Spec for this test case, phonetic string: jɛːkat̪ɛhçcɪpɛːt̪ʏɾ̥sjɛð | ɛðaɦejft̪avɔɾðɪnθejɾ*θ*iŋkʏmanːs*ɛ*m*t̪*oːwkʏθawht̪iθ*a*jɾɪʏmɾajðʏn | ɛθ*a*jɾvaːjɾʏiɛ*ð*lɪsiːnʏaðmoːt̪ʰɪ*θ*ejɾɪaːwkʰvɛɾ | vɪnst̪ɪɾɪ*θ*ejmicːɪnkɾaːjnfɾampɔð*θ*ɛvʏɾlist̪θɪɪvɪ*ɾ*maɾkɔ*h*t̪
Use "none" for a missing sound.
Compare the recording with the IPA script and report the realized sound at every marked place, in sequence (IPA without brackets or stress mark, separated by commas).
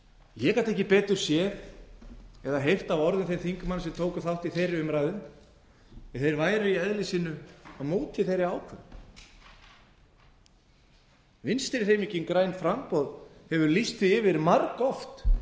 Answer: θ, ɛ, t̪ʰ, e, e, ð, θ, θ, h, ɾ, f